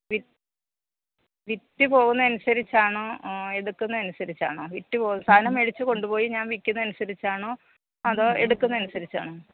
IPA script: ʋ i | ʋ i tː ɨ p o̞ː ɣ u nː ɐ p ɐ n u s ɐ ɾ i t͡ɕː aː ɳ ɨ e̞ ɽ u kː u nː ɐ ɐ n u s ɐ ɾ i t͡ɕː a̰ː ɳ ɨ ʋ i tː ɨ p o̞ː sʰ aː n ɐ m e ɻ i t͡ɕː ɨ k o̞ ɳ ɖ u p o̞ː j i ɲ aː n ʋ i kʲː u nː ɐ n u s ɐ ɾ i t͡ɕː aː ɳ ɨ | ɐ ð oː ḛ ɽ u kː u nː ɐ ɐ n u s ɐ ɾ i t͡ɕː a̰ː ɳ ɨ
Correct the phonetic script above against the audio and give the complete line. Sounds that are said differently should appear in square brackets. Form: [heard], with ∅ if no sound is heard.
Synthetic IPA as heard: ʋ i | ʋ i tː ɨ p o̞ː ɣ u nː ɐ [∅] ɐ n u s ɐ ɾ i t͡ɕː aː ɳ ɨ e̞ ɽ u kː u nː ɐ ɐ n u s ɐ ɾ i t͡ɕː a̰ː ɳ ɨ ʋ i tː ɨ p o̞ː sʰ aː n ɐ m e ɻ i t͡ɕː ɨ k o̞ ɳ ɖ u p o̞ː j i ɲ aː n ʋ i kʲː u nː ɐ n u s ɐ ɾ i t͡ɕː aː ɳ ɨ | ɐ ð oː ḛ ɽ u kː u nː ɐ ɐ n u s ɐ ɾ i t͡ɕː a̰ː ɳ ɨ